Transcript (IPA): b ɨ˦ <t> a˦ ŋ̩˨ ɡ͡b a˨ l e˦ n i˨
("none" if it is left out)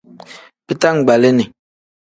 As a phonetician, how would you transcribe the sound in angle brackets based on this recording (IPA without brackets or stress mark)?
t